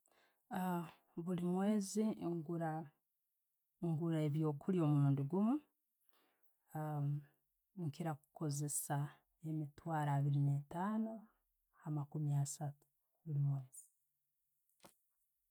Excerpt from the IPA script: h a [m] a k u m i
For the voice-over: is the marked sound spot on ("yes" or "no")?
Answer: yes